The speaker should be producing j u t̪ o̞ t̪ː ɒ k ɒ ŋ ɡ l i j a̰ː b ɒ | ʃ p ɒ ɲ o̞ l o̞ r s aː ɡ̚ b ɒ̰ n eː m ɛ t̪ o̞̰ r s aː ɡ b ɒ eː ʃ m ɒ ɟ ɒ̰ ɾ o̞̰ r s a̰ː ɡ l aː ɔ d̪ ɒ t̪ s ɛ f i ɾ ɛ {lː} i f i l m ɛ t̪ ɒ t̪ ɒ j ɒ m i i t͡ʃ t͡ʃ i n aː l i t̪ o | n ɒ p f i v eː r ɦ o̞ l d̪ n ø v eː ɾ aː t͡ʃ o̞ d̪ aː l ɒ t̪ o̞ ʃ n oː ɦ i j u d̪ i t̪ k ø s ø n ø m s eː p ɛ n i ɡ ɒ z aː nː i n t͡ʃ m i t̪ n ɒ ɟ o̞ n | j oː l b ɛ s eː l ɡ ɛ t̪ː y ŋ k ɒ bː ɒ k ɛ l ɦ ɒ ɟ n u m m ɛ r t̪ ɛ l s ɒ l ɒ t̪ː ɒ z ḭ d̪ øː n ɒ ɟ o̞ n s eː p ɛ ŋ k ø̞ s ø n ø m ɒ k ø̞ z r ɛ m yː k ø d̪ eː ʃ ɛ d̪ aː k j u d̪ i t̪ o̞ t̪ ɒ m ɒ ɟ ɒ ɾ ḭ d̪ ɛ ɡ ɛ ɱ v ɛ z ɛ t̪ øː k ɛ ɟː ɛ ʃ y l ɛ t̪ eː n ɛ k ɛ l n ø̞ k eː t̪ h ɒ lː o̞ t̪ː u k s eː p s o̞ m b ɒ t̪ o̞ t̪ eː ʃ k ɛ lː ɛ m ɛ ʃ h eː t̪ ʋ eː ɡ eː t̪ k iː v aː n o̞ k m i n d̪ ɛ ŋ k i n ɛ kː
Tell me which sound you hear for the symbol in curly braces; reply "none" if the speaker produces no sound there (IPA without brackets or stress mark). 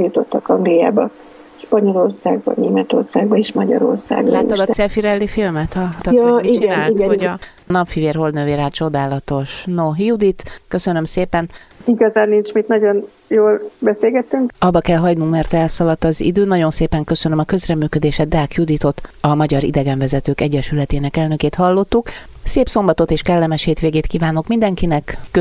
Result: lː